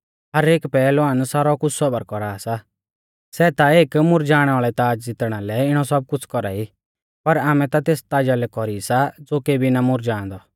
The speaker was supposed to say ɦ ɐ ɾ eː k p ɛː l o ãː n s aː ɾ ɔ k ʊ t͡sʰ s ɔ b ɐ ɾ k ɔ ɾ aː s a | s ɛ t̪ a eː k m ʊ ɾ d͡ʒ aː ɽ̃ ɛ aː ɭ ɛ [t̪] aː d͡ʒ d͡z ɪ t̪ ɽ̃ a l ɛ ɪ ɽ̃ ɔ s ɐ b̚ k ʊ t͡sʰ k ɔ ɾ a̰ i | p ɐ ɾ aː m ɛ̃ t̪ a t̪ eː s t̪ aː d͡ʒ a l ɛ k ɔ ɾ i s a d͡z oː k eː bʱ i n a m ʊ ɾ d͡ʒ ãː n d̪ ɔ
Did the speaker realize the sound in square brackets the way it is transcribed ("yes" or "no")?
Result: yes